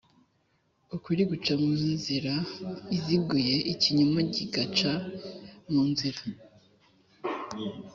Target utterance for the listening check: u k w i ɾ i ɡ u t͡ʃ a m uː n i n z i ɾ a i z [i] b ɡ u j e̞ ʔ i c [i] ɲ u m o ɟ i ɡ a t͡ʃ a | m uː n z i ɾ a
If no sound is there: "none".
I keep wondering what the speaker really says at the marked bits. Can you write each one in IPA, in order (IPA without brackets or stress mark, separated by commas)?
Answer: i, i